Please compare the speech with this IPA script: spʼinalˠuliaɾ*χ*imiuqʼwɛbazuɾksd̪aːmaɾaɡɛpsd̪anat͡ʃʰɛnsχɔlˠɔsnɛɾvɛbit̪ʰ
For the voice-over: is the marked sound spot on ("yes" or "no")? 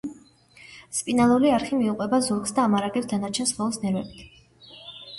yes